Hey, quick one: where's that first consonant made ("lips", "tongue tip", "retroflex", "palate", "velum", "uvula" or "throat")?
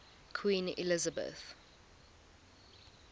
velum